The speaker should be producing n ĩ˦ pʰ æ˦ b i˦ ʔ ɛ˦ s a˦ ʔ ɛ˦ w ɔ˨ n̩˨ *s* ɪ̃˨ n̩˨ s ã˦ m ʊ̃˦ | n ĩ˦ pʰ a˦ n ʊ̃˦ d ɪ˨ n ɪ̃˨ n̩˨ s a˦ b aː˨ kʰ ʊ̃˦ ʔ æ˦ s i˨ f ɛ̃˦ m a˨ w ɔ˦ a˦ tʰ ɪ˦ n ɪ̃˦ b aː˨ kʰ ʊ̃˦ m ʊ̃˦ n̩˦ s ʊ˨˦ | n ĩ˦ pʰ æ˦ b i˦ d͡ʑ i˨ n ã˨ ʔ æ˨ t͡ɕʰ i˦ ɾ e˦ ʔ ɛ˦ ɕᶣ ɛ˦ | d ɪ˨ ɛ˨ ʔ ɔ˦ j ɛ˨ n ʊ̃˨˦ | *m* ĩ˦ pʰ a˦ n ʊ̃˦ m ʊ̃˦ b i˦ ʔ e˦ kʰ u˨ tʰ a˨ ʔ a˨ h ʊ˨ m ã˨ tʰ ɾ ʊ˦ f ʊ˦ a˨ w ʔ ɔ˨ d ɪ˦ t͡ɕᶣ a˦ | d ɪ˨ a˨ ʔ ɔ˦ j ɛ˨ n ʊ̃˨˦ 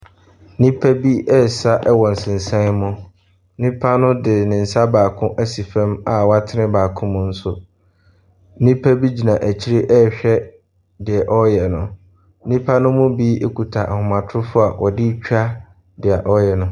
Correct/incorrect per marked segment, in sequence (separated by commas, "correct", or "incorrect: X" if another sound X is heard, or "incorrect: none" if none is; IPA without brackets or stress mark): correct, incorrect: n